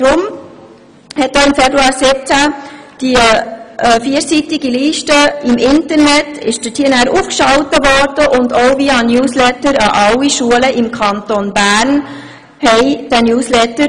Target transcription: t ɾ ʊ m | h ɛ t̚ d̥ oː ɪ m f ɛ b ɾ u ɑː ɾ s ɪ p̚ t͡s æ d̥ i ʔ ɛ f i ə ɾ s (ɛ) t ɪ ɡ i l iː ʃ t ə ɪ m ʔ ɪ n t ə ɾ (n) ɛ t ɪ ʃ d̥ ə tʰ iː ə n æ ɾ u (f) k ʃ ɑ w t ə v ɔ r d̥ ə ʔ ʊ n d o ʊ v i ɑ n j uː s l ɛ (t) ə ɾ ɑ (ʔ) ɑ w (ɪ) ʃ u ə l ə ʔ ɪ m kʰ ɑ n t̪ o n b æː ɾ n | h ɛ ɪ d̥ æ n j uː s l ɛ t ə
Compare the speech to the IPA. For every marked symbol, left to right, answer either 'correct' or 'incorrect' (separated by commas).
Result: incorrect, correct, correct, correct, correct, incorrect